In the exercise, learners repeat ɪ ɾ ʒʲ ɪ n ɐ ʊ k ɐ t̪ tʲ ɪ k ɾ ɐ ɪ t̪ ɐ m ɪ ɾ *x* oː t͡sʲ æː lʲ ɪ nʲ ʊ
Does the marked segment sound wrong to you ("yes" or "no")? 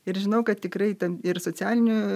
yes